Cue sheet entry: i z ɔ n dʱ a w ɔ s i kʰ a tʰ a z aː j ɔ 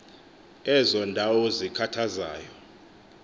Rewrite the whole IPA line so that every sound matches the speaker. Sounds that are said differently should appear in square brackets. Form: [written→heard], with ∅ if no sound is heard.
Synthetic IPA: [i→ɛ] z ɔ n dʱ a w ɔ [s→z] i kʰ a tʰ a z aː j ɔ

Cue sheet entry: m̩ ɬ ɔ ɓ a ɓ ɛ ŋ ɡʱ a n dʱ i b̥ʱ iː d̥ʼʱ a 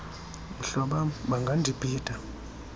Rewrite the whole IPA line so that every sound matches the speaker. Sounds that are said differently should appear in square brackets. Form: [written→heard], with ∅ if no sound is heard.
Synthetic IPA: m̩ ɬ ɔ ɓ a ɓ [ɛ→a] ŋ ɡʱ a n dʱ i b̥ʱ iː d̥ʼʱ a

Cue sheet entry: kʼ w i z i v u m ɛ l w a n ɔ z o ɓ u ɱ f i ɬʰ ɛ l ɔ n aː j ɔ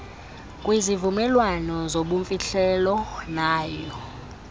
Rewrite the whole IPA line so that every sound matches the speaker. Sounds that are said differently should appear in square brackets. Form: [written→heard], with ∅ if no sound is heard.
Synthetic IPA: kʼ w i z i v u m ɛ l w a n ɔ z o ɓ u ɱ f i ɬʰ ɛ l ɔ n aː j ɔ

